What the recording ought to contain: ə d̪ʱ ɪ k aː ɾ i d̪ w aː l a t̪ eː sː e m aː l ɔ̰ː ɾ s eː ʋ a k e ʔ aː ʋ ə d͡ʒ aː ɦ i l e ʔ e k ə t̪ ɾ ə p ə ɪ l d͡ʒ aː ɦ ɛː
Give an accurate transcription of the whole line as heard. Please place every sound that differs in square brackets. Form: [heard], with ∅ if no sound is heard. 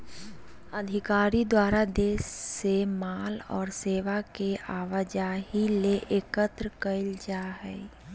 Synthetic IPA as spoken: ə d̪ʱ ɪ k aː ɾ i d̪ w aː [ɾ] a [d̪] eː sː e m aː l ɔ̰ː ɾ s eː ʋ a k e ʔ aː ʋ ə d͡ʒ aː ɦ i l e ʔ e k ə t̪ ɾ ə [k] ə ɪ l d͡ʒ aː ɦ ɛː